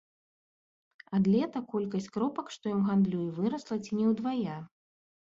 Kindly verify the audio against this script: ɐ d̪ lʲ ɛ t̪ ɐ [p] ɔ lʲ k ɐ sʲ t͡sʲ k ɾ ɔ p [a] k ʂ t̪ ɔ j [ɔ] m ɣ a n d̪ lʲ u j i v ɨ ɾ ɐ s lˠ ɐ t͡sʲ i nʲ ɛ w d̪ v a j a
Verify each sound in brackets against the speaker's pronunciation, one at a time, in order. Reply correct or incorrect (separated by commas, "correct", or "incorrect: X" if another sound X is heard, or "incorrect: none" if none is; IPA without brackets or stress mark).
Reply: incorrect: k, incorrect: ɐ, correct